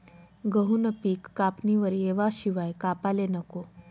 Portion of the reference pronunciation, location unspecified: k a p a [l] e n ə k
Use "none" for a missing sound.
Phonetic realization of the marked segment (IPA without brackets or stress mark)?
l